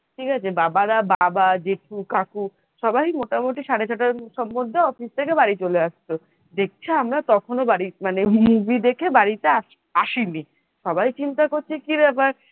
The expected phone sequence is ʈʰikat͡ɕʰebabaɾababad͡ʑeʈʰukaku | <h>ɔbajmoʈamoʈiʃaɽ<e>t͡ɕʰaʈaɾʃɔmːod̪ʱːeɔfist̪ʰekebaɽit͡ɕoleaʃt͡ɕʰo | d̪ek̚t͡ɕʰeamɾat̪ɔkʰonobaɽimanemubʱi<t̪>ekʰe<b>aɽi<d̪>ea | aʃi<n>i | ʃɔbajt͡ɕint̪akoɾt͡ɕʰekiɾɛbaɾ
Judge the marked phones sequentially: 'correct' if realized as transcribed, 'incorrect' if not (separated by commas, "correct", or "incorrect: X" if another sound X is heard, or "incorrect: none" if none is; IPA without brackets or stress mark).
incorrect: ʃ, correct, incorrect: d̪, correct, incorrect: t̪, correct